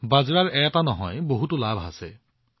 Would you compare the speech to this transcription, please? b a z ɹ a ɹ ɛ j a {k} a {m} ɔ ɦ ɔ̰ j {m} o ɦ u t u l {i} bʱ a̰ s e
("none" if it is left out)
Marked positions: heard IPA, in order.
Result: t, n, b, a

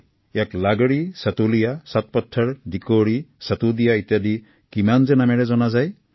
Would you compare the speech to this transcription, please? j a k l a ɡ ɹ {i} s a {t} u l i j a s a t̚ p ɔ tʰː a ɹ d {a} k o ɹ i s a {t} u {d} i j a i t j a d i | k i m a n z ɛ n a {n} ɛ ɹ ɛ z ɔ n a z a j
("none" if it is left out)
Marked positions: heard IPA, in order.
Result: i, t, i, t, d, m

